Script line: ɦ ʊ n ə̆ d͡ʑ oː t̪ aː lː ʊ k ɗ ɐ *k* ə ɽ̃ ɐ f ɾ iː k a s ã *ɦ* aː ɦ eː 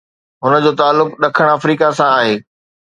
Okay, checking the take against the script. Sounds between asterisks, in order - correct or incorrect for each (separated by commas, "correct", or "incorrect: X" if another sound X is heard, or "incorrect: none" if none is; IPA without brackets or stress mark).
incorrect: kʰ, incorrect: none